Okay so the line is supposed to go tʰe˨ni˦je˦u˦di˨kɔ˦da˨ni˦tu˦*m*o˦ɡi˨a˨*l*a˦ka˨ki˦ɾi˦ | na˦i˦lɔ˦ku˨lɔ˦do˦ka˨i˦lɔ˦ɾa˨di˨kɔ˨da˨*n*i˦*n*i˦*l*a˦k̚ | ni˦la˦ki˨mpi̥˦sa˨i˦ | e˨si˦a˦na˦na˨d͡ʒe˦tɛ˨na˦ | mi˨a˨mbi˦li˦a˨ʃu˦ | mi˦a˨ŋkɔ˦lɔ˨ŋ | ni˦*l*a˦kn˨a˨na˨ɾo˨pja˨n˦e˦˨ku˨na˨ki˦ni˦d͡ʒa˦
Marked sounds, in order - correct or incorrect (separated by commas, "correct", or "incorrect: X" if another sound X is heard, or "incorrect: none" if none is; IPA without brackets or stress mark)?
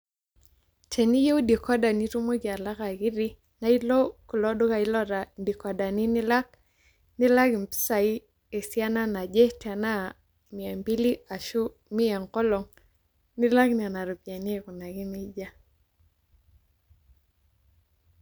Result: correct, correct, correct, correct, correct, correct